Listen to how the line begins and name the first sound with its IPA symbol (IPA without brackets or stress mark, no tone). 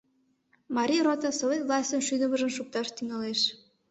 m